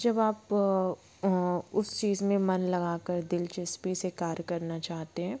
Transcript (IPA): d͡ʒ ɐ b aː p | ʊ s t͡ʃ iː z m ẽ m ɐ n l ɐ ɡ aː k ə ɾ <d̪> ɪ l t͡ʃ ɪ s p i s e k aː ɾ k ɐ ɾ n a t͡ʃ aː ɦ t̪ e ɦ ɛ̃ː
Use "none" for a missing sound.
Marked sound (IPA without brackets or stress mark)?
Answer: d̪